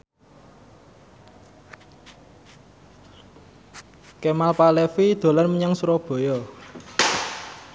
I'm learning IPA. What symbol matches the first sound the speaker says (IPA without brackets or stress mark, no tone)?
k